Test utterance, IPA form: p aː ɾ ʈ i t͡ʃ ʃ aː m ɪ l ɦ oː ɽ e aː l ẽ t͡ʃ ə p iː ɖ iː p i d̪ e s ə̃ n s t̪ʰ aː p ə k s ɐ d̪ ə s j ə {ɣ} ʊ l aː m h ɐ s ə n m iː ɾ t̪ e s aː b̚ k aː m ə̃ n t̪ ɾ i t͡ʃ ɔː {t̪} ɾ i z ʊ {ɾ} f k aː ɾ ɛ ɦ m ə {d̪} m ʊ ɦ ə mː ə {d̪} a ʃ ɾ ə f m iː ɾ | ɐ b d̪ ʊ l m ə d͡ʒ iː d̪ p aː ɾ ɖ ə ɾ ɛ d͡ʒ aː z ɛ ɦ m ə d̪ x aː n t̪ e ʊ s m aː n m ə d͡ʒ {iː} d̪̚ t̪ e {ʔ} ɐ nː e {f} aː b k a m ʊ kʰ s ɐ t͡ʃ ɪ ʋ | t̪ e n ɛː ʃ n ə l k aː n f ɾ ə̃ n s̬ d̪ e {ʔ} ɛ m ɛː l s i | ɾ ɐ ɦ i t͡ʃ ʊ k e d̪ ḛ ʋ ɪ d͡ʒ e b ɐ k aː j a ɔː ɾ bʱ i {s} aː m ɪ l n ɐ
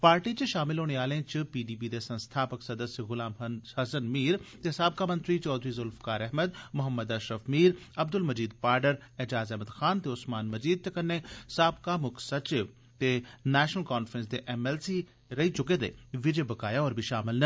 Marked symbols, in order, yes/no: yes, no, no, yes, yes, yes, no, no, yes, no

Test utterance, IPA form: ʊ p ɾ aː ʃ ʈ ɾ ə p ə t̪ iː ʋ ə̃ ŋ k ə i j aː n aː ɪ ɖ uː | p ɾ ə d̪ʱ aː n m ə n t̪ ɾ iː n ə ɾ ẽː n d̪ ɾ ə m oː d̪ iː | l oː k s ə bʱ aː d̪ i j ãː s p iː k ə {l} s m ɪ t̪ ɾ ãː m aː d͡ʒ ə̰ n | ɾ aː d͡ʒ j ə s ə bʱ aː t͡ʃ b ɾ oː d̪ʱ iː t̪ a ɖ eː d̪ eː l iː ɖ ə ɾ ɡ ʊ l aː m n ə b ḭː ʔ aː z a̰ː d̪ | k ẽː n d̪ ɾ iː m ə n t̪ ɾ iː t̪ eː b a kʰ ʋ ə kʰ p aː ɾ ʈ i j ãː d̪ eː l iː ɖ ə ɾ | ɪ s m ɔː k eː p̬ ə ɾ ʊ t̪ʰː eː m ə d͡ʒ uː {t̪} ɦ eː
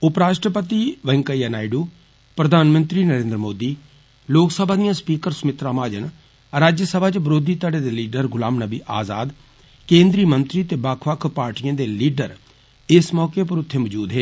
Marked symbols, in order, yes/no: no, no

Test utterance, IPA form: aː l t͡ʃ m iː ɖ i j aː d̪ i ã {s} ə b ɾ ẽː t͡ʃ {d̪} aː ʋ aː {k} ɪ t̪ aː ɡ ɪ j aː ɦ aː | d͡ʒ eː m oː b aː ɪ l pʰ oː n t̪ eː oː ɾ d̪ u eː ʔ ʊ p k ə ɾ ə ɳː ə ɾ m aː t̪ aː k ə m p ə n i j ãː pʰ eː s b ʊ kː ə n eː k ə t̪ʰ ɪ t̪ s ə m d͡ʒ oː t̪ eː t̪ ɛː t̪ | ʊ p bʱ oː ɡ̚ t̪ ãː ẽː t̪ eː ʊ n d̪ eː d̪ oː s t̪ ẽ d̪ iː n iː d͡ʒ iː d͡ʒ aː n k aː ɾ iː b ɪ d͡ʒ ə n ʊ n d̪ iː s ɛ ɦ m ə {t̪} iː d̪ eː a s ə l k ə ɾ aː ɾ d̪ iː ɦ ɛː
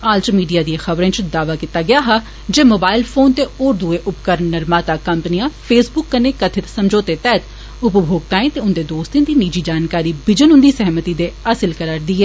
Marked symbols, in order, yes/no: no, yes, yes, yes

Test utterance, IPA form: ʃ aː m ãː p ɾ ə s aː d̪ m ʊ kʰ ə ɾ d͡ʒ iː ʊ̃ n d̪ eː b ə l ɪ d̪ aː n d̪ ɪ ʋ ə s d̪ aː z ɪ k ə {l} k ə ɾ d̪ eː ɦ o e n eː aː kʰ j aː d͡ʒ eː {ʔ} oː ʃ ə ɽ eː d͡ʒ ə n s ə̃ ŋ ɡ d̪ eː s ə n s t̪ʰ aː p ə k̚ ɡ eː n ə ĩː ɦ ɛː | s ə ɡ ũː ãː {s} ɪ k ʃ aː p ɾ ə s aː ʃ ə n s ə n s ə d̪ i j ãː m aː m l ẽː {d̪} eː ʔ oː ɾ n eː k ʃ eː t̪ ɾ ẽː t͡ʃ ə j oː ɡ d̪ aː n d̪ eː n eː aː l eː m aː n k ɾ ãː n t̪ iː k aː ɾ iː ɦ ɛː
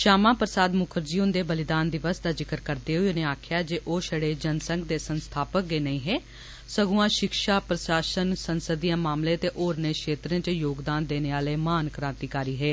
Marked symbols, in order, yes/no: no, yes, no, no

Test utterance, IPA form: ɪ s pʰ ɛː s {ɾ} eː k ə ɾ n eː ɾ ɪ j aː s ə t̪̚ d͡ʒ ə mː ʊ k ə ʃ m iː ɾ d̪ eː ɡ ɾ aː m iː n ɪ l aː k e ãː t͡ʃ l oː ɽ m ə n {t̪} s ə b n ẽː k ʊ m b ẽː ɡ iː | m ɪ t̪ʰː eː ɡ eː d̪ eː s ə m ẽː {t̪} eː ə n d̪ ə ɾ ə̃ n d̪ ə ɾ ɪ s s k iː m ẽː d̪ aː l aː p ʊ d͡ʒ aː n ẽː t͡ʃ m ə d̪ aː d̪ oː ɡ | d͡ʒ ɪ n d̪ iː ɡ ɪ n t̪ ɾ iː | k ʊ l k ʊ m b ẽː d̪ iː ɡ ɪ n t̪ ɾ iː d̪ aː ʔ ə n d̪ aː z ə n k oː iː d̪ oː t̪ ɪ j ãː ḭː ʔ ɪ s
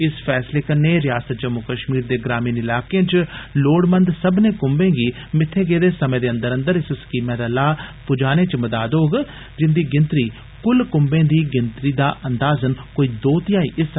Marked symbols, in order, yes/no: no, no, no

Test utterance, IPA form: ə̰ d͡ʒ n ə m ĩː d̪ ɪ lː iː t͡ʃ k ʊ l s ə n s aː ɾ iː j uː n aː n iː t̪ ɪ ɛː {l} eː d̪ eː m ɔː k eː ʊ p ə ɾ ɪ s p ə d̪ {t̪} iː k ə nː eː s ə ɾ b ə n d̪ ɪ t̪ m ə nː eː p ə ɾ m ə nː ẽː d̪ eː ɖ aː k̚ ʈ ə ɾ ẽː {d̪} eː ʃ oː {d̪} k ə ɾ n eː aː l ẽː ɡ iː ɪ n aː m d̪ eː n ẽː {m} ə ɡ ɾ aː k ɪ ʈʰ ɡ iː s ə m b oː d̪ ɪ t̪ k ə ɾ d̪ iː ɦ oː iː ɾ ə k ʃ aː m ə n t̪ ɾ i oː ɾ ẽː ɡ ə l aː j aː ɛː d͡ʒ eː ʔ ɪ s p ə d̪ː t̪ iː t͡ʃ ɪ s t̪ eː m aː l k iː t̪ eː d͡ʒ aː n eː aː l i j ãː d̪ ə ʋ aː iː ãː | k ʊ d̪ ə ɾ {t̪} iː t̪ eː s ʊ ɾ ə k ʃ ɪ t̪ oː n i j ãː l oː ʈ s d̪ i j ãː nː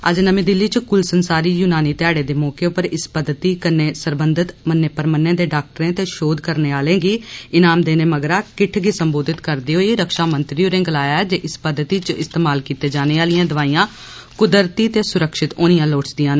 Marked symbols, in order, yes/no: no, yes, no, yes, yes, yes

